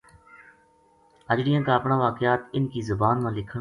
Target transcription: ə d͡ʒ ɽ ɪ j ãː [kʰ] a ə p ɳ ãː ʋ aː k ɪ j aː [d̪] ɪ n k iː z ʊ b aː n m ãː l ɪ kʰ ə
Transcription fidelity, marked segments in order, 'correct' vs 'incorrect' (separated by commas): incorrect, incorrect